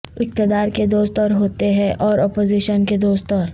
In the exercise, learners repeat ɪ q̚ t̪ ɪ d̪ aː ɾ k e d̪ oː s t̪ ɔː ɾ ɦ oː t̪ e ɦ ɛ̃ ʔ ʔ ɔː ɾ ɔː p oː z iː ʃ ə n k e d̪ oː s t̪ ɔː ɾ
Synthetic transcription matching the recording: ɪ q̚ t̪ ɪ d̪ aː ɾ k e d̪ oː s t̪ ɔː ɾ ɦ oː t̪ e ɦ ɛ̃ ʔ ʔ ɔː ɾ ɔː p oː z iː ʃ ə n k e d̪ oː s t̪ ɔː ɾ